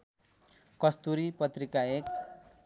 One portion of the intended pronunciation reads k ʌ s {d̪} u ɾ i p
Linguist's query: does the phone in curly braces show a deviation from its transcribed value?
yes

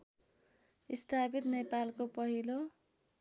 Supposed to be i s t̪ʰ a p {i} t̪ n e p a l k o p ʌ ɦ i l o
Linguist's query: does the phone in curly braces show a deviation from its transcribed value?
no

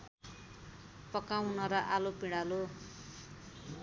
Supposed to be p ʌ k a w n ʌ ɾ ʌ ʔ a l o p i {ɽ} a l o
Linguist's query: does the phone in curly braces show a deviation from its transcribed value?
no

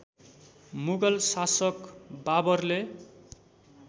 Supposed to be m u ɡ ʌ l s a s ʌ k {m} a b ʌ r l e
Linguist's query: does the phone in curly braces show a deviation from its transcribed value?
yes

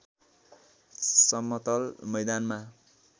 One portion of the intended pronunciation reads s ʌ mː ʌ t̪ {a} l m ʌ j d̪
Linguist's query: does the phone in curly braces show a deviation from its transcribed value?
yes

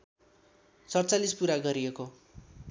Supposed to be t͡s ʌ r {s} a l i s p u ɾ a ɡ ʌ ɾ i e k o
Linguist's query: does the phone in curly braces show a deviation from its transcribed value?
yes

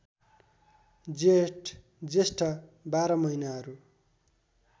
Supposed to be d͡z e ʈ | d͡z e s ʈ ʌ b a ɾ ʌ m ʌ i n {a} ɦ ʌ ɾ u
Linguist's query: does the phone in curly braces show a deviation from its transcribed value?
no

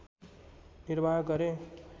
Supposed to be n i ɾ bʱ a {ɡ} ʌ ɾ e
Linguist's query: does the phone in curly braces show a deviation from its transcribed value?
no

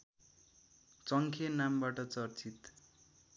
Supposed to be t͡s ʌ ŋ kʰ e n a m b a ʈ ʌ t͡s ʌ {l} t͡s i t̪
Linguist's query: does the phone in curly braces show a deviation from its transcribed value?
yes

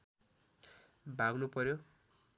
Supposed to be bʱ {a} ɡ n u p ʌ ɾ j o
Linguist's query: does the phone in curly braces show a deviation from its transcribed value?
no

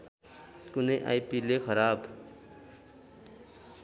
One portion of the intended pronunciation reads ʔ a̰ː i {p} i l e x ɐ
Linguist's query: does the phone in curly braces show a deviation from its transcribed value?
no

